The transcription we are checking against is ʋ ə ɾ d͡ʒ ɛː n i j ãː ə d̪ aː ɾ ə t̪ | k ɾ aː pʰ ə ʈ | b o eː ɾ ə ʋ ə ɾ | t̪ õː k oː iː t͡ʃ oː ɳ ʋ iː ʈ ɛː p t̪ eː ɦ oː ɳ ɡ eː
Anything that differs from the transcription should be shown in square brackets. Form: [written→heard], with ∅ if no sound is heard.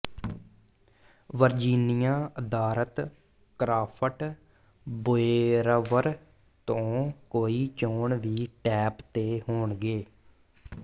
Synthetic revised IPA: ʋ ə ɾ d͡ʒ [ɛː→iː] n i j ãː ə d̪ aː ɾ ə t̪ | k ɾ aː pʰ ə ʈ | b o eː ɾ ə ʋ ə ɾ | t̪ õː k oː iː t͡ʃ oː ɳ ʋ iː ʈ ɛː p t̪ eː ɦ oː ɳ ɡ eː